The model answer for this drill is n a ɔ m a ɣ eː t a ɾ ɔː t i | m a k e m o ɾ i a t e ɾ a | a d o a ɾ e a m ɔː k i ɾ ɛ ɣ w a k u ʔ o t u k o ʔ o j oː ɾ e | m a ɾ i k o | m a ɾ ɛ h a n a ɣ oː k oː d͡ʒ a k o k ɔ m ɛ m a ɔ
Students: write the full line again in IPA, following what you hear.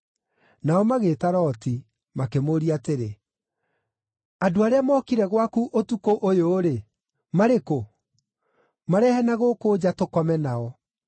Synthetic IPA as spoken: n a ɔ m a ɣ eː t a ɾ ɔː t i | m a k e m o ɾ i a t e ɾ e | a d o a ɾ e a m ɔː k i ɾ ɛ ɣ w a k u ʔ o t u k o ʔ o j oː ɾ e | m a ɾ e k o | m a ɾ ɛ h ɛ n a ɣ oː k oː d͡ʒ a t o k ɔ m ɛ n a ɔ